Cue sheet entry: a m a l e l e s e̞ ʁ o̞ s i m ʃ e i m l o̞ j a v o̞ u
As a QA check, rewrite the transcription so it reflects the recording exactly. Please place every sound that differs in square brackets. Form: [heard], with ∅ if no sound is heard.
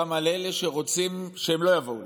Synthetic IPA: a m a l e l e [ʃ] e̞ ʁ o̞ [t͡s] i m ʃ e [e] m l o̞ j a v o̞ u